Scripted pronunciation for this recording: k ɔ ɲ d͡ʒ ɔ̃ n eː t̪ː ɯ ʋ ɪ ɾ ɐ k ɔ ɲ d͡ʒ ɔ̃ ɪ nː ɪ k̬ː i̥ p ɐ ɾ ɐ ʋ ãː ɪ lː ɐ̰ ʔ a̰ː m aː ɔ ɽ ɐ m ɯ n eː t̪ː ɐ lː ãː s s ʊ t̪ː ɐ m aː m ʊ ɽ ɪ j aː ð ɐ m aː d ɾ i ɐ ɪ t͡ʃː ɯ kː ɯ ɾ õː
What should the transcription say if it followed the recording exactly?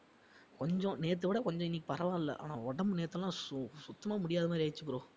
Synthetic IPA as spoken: k ɔ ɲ d͡ʒ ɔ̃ n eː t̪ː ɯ ʋ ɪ ɽ ɐ k ɔ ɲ d͡ʒ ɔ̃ ɪ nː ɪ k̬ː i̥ p ɐ ɾ ɐ ʋ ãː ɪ lː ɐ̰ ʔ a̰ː n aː ɔ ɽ ɐ m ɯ n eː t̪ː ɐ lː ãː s s ʊ t̪ː ɐ m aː m ʊ ɽ ɪ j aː ð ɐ m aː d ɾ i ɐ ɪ t͡ʃː ɯ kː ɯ ɾ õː